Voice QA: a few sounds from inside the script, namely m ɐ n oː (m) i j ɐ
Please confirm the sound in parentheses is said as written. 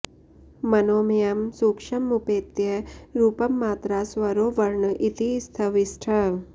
yes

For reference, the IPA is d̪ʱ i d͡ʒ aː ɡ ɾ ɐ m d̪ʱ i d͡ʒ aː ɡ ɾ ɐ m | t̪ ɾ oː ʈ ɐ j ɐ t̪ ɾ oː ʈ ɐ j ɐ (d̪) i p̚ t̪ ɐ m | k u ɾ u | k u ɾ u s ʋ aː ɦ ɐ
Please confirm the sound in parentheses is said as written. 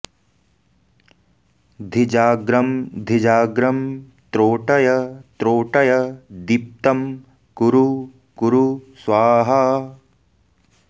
yes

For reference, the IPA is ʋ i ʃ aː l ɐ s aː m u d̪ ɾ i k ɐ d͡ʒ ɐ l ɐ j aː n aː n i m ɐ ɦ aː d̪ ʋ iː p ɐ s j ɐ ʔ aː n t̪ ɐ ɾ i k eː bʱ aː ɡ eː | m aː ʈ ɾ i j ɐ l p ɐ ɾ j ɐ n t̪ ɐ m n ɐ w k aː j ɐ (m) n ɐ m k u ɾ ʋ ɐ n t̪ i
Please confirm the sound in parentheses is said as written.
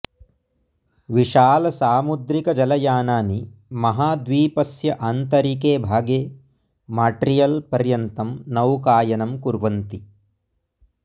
no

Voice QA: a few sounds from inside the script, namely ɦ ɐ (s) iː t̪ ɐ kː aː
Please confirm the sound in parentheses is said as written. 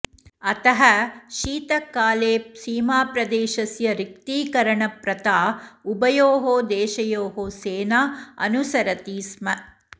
no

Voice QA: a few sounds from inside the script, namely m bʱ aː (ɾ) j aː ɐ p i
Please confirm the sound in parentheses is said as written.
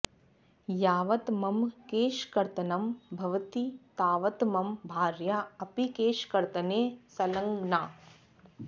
yes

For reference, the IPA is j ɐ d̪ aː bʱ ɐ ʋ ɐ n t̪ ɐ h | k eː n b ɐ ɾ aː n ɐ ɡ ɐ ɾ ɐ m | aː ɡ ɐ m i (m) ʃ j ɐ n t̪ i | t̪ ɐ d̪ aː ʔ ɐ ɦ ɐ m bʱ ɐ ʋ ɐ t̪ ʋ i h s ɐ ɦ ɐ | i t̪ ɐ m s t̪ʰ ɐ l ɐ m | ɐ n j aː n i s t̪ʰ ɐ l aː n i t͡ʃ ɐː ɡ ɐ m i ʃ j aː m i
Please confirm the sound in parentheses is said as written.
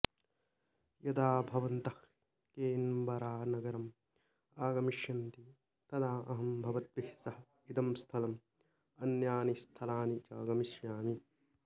no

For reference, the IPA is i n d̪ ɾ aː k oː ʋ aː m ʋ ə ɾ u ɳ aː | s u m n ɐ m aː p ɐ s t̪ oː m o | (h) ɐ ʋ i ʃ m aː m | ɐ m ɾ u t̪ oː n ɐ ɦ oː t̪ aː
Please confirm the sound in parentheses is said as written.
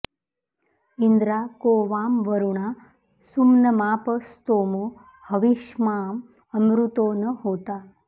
yes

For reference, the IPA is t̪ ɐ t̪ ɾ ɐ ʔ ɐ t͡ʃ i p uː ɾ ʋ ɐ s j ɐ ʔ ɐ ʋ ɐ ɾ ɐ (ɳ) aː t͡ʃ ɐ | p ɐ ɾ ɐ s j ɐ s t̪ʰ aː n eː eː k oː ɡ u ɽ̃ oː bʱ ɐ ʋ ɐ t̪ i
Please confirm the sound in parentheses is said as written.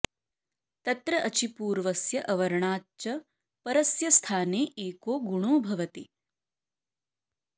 yes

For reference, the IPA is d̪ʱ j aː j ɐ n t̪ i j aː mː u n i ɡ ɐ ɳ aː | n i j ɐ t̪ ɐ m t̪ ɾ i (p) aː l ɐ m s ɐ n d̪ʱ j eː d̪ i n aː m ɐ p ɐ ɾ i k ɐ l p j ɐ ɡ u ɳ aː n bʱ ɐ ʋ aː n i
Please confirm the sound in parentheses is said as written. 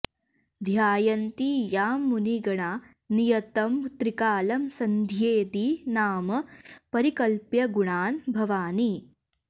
no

